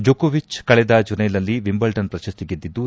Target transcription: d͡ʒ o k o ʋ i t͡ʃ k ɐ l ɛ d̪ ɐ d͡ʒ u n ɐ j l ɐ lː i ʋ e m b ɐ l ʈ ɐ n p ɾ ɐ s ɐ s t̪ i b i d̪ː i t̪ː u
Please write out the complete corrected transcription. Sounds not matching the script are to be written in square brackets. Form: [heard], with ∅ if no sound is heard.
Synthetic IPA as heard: d͡ʒ o k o ʋ i t͡ʃ k ɐ [ɭ] ɛ d̪ ɐ d͡ʒ u n ɐ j l ɐ lː i ʋ [i] m b ɐ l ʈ ɐ n p ɾ ɐ [ʃ] ɐ s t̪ i [ɡ] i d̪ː i [d̪ː] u